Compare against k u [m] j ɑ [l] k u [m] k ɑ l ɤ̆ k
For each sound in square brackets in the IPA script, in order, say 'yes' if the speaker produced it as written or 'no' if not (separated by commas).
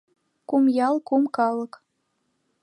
yes, yes, yes